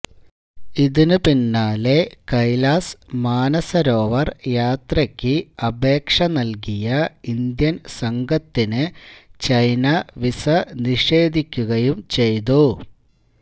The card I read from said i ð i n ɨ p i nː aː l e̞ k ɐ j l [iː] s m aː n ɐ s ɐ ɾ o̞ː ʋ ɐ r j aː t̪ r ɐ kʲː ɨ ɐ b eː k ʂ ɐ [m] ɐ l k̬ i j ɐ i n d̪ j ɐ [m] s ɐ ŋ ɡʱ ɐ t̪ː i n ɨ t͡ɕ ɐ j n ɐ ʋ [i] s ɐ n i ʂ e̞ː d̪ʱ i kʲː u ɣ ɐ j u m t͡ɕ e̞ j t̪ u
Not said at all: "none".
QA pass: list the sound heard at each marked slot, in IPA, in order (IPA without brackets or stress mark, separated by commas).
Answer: aː, n, n, i